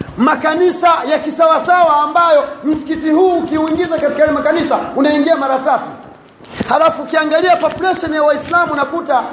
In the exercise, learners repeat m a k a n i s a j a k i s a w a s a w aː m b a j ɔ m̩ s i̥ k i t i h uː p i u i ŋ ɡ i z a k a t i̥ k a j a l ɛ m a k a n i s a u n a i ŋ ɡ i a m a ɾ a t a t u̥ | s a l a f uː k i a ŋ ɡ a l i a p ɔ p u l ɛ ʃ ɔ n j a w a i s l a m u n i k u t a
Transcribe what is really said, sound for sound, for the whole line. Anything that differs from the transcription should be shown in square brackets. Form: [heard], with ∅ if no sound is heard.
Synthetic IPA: m a k a n i s a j a k i s a w a s a w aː m b a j ɔ m̩ s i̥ k i t i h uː [k] i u i ŋ ɡ i z a k a t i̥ k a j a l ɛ m a k a n i s a u n a i ŋ ɡ i a m a ɾ a t a t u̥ | [h] a l a f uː k i a ŋ ɡ a l i a p ɔ p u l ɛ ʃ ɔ n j a w a i s l a m u n [a] k u t a